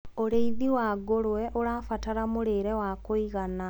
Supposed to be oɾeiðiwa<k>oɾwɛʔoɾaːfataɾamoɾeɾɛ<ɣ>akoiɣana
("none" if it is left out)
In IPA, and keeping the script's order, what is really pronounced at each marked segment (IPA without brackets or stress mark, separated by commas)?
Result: ɡ, w